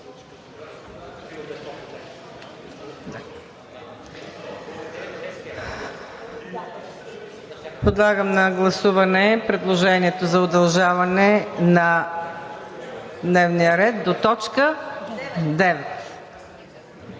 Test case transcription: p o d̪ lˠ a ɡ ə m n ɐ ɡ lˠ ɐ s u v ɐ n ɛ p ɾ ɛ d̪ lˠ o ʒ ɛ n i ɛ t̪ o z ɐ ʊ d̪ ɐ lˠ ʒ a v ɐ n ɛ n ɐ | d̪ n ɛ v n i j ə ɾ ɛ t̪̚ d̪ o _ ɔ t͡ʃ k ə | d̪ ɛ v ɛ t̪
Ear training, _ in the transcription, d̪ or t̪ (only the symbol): t̪